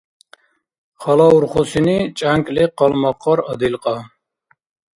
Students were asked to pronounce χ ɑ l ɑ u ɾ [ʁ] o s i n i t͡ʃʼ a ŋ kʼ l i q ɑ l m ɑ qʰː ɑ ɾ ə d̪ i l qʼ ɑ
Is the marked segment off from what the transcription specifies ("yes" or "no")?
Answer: yes